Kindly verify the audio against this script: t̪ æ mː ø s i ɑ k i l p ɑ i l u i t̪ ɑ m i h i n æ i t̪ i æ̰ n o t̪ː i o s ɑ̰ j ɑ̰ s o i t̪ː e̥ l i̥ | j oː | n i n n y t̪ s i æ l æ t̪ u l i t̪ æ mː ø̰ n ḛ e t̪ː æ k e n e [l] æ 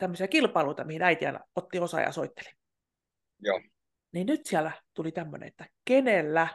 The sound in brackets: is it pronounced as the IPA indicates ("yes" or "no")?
no